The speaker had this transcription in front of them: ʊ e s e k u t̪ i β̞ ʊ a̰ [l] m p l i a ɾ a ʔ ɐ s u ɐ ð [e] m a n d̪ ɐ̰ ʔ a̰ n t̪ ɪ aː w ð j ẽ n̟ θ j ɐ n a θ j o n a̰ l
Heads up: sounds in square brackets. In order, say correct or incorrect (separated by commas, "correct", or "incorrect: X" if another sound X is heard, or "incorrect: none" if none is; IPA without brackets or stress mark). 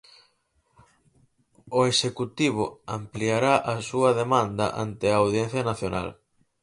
incorrect: none, correct